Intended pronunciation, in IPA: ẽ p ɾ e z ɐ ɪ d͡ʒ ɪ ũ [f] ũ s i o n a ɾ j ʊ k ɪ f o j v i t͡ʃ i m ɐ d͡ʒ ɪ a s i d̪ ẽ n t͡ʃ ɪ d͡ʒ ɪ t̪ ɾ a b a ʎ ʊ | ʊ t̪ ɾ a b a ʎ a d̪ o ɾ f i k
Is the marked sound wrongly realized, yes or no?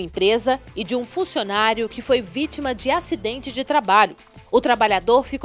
no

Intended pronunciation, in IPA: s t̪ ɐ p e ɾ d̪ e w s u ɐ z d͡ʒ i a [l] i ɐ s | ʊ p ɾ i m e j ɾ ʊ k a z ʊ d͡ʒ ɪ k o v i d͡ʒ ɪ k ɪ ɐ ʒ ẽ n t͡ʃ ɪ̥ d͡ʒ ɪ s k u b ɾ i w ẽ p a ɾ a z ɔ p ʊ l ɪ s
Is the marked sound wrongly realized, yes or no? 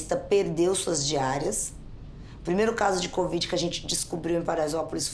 yes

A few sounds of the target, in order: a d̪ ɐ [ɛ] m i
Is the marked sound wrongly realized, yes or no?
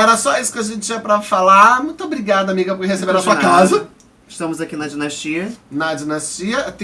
yes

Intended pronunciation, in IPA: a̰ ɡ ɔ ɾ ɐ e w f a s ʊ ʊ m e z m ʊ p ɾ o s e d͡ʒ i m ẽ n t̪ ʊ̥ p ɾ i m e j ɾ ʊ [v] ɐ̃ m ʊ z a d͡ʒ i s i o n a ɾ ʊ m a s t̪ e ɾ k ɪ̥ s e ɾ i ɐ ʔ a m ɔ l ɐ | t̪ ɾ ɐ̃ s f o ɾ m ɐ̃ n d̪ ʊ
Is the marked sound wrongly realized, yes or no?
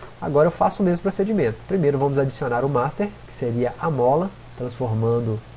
no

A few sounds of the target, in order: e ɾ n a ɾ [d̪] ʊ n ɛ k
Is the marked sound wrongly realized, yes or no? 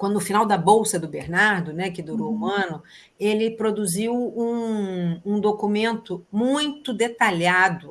no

